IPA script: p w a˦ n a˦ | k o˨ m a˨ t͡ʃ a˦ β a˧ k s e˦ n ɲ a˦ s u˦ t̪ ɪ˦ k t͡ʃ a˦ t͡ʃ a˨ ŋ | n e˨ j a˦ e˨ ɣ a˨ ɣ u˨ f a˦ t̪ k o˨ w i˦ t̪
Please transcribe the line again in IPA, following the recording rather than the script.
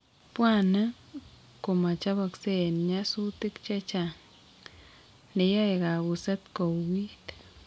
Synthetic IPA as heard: p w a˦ n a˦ | k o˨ m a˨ t͡ʃ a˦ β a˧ k s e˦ n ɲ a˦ s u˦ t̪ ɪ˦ k t͡ʃ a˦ t͡ʃ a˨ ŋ | n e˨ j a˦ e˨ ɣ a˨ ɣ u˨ s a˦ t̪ k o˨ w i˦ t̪